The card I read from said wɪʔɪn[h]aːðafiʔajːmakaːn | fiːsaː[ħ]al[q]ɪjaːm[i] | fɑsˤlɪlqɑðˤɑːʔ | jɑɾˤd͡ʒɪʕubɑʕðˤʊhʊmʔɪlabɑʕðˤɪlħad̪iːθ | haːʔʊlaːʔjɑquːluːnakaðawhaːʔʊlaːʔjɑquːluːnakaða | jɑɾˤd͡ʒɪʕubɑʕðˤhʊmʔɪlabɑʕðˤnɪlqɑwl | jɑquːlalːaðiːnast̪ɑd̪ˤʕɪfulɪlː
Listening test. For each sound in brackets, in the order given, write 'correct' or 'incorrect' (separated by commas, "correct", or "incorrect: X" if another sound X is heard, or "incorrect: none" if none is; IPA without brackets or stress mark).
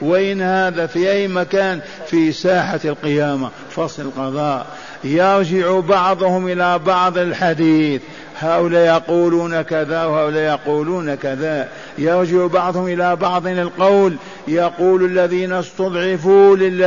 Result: correct, correct, correct, incorrect: a